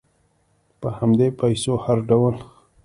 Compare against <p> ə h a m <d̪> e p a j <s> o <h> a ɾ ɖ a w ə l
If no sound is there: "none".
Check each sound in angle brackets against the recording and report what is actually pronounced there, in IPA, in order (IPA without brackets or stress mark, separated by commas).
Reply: p, d̪, s, h